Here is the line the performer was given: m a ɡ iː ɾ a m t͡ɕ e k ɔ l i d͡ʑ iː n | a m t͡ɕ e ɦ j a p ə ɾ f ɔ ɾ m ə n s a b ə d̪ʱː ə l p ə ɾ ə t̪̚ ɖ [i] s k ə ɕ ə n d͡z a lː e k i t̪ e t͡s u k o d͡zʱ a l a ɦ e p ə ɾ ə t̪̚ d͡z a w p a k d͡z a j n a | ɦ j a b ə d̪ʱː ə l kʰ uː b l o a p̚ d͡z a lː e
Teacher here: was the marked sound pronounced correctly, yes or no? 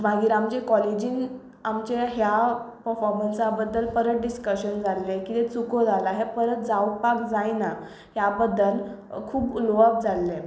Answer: yes